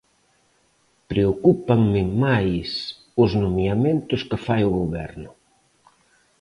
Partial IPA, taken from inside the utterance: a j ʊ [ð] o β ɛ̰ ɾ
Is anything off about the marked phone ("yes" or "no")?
yes